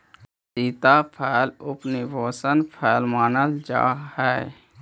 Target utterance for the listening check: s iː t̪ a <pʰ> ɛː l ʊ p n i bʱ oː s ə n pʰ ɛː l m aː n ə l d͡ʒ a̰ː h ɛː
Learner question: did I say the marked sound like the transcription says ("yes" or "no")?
yes